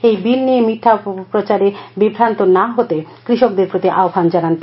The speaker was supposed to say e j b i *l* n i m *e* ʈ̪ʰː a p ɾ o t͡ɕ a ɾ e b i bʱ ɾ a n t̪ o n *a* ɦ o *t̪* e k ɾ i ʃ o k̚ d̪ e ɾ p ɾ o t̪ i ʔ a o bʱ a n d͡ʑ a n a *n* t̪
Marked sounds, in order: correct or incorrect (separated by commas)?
correct, incorrect, correct, correct, correct